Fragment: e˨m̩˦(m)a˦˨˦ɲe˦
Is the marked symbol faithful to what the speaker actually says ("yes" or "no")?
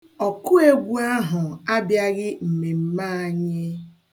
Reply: yes